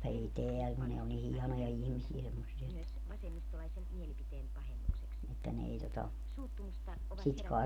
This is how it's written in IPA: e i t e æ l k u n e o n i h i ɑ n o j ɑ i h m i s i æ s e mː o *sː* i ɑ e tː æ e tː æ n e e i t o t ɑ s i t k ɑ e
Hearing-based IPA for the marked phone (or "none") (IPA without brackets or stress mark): sː